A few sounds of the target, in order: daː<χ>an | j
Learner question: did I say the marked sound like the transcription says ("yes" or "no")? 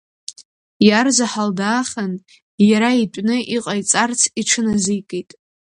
yes